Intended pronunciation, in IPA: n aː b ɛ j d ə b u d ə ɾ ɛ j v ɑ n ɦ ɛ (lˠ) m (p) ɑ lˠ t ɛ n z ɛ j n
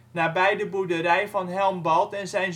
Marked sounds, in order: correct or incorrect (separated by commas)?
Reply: correct, incorrect